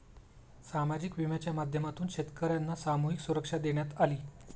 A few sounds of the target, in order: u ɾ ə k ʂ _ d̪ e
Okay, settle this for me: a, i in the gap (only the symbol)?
a